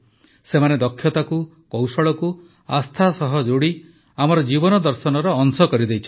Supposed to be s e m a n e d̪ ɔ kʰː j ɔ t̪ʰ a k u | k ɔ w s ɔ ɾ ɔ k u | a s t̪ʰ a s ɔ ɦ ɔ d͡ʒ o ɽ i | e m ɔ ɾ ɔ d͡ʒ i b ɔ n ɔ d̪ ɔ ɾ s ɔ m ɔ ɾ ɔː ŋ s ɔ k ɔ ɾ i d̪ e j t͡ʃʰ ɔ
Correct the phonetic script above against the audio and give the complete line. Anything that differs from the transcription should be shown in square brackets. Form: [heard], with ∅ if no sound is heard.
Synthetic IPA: s e m a n e d̪ ɔ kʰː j ɔ [t̪] a k u | k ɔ w s ɔ [ɭ] ɔ k u | a s t̪ʰ a s ɔ ɦ ɔ d͡ʒ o ɽ i | [a] m ɔ ɾ ɔ d͡ʒ i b ɔ n ɔ d̪ ɔ ɾ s ɔ [n] ɔ ɾ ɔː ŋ s ɔ k ɔ ɾ i d̪ e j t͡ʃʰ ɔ